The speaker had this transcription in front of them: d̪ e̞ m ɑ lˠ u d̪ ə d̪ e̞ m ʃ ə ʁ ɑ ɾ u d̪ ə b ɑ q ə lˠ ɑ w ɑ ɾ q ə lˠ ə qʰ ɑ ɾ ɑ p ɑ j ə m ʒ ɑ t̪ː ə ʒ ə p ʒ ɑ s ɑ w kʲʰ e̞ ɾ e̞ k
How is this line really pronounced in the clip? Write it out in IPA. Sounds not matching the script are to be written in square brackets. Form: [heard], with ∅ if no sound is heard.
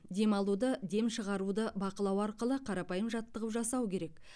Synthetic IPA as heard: d̪ e̞ m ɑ lˠ u d̪ ə d̪ e̞ m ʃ ə ʁ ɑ ɾ u d̪ ə b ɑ q ə lˠ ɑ w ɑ ɾ q ə lˠ ə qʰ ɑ ɾ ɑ p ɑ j ə m ʒ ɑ t̪ː ə [ʁ] ə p ʒ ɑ s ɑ w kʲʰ e̞ ɾ e̞ k